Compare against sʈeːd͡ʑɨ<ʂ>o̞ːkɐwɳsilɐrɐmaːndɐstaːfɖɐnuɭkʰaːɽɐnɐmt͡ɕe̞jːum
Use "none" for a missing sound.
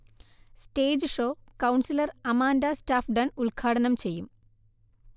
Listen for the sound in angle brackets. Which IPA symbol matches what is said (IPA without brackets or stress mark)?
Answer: ʂ